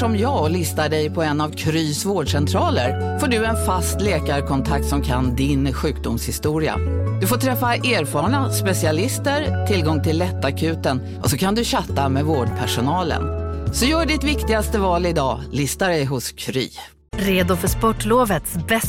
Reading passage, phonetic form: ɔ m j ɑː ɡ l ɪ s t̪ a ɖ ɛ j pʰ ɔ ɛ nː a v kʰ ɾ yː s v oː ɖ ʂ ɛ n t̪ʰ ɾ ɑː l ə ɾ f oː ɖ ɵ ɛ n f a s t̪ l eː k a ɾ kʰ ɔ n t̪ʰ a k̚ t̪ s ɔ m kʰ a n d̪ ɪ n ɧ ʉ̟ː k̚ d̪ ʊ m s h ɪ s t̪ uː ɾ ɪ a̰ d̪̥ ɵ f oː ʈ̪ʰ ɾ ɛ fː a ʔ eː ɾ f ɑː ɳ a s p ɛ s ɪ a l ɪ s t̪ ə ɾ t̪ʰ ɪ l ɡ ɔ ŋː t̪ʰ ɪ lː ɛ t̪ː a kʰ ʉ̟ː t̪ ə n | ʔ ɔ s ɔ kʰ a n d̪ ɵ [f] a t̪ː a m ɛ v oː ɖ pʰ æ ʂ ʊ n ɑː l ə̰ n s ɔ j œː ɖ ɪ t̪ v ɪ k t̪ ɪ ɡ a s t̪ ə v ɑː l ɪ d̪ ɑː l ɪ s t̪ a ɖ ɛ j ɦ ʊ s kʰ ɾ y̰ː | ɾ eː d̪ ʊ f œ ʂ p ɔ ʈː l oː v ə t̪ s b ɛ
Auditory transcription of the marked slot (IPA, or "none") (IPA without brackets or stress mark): ɕ